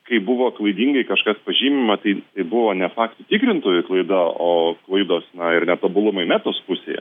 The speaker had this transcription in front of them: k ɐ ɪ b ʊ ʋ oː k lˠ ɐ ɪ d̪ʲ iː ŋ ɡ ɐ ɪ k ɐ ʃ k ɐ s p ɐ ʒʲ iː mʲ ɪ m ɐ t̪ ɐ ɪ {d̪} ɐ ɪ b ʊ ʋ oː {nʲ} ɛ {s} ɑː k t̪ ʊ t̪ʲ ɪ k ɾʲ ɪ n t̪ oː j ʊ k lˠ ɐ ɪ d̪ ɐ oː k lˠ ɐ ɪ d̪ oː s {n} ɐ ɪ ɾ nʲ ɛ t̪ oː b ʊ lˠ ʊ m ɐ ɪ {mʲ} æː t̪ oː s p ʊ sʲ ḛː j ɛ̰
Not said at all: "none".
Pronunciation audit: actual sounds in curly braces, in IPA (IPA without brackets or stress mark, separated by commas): t̪, nʲ, f, n, mʲ